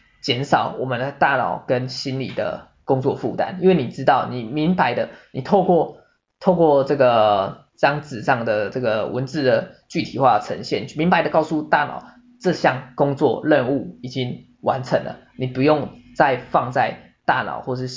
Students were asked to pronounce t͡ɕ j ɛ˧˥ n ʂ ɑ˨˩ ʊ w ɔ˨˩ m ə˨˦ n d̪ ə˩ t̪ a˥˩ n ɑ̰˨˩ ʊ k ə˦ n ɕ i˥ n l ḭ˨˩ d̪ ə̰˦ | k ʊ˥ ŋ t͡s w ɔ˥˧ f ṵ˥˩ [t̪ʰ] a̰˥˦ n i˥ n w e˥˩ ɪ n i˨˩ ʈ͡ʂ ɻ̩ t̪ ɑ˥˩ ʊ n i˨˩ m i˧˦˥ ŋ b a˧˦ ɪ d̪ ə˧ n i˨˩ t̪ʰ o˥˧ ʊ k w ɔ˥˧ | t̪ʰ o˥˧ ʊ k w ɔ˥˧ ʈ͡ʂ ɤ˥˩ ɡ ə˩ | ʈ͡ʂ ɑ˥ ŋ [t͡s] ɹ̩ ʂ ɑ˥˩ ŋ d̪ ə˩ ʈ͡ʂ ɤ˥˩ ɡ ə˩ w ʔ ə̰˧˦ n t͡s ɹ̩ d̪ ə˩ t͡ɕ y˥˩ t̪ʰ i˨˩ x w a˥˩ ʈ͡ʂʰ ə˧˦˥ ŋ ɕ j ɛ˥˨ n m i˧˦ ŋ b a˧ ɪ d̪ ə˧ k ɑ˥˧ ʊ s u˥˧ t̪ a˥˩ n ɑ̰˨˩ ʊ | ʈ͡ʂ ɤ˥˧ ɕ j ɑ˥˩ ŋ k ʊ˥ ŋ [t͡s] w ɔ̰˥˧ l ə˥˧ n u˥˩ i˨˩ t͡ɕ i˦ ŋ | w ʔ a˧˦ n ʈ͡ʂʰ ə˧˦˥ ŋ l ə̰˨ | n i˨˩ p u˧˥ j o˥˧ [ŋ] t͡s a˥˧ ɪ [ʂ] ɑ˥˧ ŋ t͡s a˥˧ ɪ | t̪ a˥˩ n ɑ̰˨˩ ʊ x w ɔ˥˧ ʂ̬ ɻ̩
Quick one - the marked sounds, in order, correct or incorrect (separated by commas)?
incorrect, correct, correct, correct, incorrect